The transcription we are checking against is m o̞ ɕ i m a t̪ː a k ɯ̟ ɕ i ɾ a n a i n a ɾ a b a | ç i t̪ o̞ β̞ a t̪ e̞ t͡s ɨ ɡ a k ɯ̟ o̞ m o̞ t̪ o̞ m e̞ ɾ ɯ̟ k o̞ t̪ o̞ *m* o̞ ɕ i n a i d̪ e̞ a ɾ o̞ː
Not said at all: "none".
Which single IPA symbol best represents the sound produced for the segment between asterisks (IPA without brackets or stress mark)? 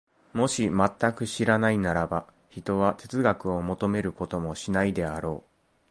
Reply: m